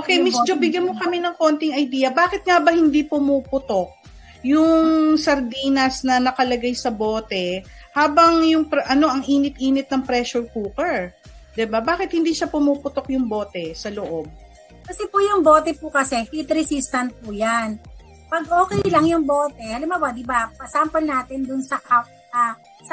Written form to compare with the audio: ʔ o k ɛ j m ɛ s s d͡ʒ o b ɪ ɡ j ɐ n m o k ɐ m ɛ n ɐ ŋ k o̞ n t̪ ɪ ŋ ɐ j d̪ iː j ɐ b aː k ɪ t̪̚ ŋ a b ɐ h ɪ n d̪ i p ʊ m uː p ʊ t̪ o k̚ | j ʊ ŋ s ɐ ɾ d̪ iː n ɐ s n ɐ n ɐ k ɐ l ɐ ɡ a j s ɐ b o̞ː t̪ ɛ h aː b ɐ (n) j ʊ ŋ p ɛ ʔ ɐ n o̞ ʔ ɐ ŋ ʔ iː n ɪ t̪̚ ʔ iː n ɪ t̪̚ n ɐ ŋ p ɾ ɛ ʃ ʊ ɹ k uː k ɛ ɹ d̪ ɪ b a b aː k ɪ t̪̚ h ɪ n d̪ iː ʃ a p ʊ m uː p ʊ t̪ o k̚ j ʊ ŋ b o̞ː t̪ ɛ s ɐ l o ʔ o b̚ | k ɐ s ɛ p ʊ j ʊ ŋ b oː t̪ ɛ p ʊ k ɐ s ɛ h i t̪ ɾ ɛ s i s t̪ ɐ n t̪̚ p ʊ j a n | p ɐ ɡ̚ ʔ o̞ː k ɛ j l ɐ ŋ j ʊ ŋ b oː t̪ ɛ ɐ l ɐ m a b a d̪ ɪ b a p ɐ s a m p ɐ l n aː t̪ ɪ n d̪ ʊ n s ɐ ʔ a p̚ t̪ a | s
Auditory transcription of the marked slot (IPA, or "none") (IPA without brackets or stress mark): ŋ